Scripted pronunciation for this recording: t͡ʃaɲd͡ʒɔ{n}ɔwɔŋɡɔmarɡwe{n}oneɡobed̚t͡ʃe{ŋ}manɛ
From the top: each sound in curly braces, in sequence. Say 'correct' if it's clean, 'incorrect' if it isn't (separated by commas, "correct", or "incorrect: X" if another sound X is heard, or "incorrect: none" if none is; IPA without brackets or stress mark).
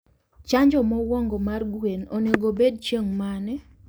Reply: incorrect: m, correct, correct